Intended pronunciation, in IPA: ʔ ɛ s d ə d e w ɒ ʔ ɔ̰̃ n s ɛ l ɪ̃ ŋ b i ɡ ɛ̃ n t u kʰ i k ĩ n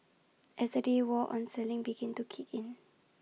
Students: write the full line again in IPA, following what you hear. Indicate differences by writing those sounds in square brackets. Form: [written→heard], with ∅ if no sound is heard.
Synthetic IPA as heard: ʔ ɛ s d ə d e w [ɒ→ɔ] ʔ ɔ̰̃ n s ɛ l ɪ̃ ŋ b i ɡ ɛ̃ n t u kʰ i k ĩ n